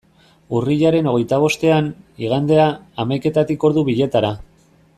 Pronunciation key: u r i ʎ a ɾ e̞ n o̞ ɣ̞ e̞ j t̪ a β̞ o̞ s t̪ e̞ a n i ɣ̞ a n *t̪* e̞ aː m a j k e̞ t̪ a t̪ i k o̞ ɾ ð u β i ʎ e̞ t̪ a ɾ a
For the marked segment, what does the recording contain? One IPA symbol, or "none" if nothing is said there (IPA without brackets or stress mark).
d̪